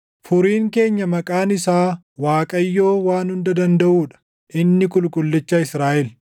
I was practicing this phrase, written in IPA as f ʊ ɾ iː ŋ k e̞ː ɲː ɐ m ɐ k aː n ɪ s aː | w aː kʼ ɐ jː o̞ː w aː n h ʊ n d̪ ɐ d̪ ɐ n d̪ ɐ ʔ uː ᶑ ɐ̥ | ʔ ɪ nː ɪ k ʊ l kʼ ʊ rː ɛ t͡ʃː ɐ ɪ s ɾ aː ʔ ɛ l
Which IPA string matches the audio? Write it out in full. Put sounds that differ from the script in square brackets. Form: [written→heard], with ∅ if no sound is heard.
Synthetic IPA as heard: f ʊ ɾ iː ŋ k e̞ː ɲː ɐ m ɐ [k→kʼ] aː n ɪ s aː | w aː kʼ ɐ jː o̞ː w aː n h ʊ n d̪ ɐ d̪ ɐ n d̪ ɐ ʔ uː ᶑ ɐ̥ | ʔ ɪ nː ɪ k ʊ l kʼ ʊ [rː→lː] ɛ t͡ʃː ɐ ɪ s ɾ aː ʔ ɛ l